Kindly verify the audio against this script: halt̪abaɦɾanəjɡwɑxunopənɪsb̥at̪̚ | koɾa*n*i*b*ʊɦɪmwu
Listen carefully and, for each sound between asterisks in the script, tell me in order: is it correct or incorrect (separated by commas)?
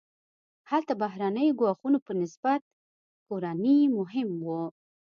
correct, incorrect